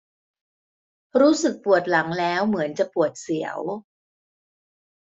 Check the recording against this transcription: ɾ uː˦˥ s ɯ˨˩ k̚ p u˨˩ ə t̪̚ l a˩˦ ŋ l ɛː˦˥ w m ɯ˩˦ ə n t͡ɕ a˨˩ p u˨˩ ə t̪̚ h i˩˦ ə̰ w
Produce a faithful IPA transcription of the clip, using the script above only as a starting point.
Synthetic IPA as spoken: ɾ uː˦˥ s ɯ˨˩ k̚ p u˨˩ ə t̪̚ l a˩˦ ŋ l ɛː˦˥ w m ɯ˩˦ ə n t͡ɕ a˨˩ p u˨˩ ə t̪̚ s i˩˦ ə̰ w